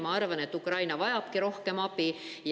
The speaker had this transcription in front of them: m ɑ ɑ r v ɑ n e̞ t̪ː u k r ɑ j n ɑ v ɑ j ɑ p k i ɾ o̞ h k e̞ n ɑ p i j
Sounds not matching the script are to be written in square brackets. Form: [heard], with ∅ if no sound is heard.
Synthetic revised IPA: m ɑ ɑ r v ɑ n e̞ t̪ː u k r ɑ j n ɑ v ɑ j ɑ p k i ɾ o̞ h k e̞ [m] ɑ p i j